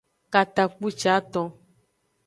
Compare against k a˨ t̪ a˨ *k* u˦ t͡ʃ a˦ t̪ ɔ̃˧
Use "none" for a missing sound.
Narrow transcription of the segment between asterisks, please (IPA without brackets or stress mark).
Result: k͡p